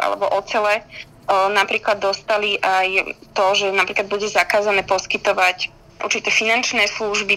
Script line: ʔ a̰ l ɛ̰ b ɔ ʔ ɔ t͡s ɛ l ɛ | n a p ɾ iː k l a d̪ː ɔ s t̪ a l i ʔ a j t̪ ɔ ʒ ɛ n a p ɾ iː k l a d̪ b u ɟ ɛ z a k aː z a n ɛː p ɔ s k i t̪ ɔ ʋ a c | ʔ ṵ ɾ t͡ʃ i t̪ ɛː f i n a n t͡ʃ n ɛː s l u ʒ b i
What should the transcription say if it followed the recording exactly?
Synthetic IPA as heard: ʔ a̰ l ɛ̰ b ɔ ʔ ɔ t͡s ɛ l ɛ | n a p ɾ iː k l a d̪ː ɔ s t̪ a l i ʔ a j t̪ ɔ ʒ ɛ n a p ɾ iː k l a d̪ b u ɟ ɛ z a k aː z a n ɛː p ɔ s k i t̪ ɔ ʋ a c | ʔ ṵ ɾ t͡ʃ i t̪ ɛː f i n a n t͡ʃ n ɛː s l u ʒ b i